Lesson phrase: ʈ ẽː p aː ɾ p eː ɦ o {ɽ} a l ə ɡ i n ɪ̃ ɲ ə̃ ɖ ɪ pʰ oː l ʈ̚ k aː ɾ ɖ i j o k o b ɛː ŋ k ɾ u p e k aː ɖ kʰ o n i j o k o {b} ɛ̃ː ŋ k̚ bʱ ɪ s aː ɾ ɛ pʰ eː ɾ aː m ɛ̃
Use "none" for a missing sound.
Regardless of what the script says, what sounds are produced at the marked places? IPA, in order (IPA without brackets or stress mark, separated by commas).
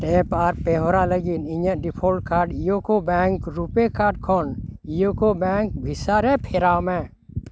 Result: ɾ, b